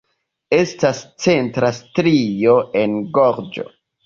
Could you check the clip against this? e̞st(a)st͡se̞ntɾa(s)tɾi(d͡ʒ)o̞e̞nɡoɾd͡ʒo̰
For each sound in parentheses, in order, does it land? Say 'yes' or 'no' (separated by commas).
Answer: yes, yes, no